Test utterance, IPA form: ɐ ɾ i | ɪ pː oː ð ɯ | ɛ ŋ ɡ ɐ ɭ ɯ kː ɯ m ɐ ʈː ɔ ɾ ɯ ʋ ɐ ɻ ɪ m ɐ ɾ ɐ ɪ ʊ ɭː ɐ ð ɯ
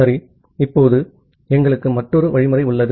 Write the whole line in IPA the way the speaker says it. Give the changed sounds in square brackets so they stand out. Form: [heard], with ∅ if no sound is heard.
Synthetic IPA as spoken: ɐ ɾ i | ɪ pː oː ð ɯ | ɛ ŋ ɡ ɐ ɭ ɯ kː ɯ m ɐ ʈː ɔ ɾ ɯ ʋ ɐ ɻ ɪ m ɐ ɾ ɐ ɪ ʊ ɭː ɐ ð ɯ